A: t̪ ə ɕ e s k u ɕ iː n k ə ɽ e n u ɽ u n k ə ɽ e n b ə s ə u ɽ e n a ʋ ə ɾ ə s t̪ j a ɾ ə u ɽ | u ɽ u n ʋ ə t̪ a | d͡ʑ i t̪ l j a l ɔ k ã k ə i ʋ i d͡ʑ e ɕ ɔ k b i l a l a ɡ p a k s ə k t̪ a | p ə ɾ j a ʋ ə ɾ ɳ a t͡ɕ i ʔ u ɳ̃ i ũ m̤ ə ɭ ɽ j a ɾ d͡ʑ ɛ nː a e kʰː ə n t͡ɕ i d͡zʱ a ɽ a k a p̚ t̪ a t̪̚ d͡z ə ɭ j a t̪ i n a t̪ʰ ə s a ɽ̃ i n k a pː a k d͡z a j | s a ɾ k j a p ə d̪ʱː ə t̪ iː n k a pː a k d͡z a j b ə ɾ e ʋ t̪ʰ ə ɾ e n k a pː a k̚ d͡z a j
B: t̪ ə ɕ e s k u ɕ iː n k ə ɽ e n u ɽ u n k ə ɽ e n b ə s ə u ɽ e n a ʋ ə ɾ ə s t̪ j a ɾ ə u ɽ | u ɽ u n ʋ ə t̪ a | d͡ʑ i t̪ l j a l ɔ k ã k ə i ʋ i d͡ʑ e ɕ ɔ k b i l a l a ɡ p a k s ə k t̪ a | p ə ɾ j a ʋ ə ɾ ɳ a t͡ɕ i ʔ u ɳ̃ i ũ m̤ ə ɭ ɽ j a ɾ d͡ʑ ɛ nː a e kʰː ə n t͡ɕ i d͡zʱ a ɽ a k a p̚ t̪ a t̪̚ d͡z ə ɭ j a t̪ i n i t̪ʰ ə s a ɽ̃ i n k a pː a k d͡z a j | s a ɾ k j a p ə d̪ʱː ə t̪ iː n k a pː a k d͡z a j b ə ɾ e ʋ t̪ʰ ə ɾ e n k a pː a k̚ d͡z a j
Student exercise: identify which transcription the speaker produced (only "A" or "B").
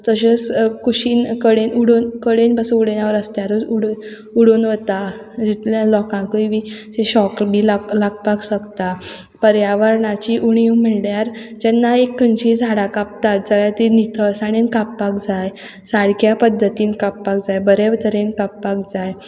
B